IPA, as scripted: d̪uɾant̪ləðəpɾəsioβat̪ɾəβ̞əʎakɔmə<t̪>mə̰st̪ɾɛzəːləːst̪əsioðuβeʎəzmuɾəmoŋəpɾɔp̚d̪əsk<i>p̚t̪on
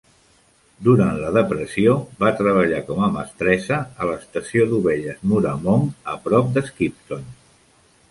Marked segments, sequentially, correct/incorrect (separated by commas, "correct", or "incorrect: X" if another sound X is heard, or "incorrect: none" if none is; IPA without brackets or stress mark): incorrect: none, correct